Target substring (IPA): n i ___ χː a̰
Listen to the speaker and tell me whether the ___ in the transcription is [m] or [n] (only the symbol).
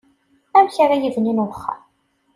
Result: n